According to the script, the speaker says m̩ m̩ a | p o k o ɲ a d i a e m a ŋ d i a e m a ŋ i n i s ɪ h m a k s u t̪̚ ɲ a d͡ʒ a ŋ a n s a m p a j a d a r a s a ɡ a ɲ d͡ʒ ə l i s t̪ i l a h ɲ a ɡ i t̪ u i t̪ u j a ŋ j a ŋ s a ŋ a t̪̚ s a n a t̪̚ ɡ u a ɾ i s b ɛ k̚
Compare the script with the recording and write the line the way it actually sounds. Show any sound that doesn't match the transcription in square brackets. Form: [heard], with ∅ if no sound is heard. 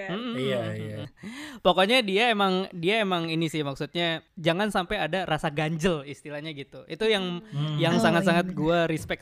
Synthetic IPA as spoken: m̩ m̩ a | p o k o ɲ a d i a e m a ŋ d i a e m a ŋ i n i s ɪ h m a k s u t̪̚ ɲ a d͡ʒ a ŋ a n s a m p a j a d a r a s a ɡ a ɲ d͡ʒ ə l i s t̪ i l a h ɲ a ɡ i t̪ u i t̪ u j a ŋ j a ŋ s a ŋ a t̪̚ s a [ŋ] a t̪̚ ɡ u a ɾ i s [p] ɛ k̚